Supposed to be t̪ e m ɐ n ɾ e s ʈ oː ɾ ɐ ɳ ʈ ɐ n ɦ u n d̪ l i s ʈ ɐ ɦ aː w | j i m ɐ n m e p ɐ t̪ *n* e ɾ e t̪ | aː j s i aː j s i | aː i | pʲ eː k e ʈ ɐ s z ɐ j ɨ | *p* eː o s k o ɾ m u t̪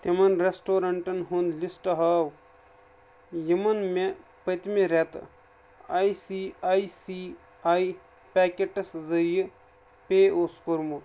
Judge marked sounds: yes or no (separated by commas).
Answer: no, yes